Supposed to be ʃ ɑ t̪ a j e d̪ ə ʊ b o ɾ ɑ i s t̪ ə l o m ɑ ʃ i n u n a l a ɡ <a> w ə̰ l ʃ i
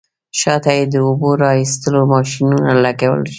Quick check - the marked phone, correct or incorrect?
correct